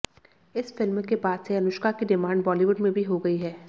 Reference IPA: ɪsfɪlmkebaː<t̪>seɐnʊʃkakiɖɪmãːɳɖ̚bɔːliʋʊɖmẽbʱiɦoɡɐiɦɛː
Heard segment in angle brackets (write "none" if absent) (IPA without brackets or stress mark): d̪